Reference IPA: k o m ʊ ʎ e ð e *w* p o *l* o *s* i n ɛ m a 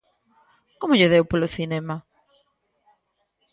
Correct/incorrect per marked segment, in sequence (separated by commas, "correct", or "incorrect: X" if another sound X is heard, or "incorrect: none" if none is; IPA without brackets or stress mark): correct, correct, incorrect: θ